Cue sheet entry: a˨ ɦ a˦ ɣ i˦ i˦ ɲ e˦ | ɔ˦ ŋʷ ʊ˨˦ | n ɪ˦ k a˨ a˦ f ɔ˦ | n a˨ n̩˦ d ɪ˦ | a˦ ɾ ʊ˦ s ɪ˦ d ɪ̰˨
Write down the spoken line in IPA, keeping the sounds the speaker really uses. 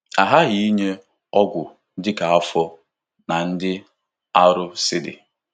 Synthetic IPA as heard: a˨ ɦ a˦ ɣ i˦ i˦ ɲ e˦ | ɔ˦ ɡʷ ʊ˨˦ | d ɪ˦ k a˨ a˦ f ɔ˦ | n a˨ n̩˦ d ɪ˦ | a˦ ɾ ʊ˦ s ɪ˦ d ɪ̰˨